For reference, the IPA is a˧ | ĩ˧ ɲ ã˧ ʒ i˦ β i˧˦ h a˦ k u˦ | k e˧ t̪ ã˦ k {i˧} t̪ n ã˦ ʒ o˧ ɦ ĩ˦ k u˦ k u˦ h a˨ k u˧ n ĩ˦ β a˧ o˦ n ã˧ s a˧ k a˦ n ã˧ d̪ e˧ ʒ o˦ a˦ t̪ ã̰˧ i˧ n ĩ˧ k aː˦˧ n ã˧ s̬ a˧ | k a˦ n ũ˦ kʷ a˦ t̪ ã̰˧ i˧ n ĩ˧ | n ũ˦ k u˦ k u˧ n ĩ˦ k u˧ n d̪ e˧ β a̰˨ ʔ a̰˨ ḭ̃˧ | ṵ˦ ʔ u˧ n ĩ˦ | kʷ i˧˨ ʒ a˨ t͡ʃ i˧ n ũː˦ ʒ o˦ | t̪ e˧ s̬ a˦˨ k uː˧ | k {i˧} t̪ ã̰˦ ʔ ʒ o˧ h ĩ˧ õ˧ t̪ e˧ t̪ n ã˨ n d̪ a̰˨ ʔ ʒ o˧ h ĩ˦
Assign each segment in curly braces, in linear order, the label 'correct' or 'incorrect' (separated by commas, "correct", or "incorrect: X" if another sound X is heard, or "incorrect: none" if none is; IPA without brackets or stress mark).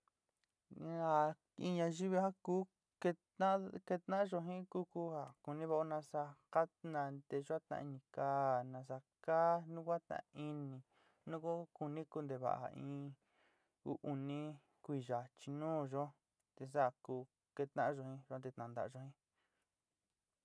incorrect: e˧, incorrect: e˧